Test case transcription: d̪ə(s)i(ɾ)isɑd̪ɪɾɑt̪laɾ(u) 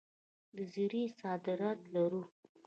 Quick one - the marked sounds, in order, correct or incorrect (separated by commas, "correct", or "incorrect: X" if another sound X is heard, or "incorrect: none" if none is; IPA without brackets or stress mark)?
incorrect: z, correct, correct